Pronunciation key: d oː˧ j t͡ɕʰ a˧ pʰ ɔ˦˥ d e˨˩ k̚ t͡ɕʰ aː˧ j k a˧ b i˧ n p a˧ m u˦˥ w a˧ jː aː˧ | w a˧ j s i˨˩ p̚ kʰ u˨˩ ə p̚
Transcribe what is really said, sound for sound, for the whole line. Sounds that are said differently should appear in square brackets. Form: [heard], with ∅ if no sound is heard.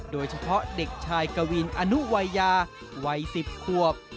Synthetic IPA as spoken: d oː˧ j t͡ɕʰ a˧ pʰ ɔ˦˥ d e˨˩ k̚ t͡ɕʰ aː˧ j k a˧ [w] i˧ n [ʔ] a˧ [n] u˦˥ w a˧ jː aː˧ | w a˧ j s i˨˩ p̚ kʰ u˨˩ ə p̚